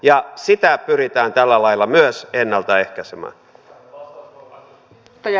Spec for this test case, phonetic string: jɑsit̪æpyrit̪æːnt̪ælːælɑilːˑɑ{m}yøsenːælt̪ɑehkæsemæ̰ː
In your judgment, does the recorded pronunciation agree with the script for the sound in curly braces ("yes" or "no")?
yes